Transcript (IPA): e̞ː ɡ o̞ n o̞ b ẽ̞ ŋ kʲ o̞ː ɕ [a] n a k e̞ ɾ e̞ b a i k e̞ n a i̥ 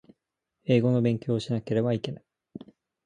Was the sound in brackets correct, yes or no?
no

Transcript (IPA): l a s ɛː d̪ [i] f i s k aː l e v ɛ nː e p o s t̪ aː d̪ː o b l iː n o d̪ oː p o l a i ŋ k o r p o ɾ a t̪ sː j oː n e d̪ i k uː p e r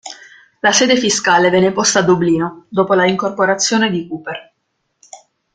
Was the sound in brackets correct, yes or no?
no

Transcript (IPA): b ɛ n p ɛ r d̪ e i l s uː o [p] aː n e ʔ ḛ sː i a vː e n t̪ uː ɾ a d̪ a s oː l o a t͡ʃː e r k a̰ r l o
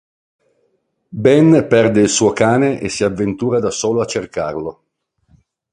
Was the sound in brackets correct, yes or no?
no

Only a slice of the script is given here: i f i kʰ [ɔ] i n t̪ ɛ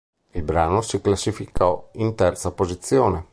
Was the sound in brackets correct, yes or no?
yes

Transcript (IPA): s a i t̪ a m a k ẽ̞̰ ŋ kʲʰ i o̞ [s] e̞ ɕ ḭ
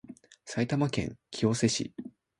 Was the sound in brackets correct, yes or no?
yes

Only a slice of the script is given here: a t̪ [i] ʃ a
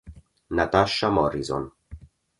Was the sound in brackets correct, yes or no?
no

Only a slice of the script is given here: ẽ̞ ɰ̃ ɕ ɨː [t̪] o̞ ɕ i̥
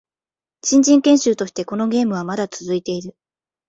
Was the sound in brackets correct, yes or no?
yes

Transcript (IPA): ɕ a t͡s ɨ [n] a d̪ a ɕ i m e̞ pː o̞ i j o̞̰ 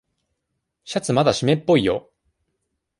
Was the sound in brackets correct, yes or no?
no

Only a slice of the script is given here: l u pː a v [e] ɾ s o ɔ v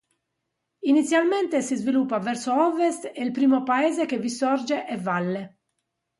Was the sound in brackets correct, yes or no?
no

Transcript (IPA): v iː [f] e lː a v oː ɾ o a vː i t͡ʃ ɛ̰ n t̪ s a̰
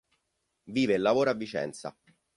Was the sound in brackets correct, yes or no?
no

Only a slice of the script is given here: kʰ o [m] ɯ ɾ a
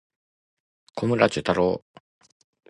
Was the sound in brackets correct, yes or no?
yes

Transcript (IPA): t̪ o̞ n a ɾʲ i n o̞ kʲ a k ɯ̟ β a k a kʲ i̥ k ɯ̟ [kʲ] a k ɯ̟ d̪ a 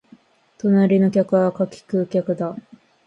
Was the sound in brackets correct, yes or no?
yes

